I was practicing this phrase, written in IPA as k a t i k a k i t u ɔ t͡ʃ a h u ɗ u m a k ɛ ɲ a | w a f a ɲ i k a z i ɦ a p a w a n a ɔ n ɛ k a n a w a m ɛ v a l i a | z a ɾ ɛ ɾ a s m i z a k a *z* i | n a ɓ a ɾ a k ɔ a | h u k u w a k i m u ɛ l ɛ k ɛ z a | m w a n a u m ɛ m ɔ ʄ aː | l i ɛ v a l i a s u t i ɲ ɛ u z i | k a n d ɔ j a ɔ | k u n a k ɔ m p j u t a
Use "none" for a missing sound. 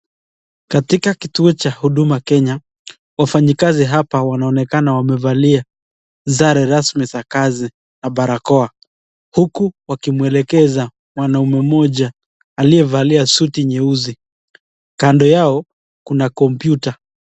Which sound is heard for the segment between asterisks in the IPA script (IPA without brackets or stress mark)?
z